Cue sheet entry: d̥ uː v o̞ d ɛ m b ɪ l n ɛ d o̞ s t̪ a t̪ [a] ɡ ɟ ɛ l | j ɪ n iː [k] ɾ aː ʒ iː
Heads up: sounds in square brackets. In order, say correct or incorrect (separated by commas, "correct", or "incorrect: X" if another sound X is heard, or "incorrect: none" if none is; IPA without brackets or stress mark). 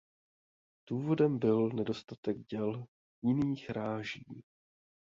incorrect: ɛ, incorrect: x